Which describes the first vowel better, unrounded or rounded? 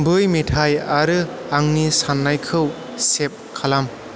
unrounded